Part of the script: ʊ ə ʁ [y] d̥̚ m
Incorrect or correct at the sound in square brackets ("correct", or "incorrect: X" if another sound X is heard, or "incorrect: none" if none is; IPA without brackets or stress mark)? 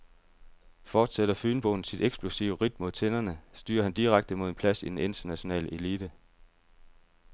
incorrect: i